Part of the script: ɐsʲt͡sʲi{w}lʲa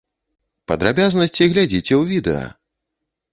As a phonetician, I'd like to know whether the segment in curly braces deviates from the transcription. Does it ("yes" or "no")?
yes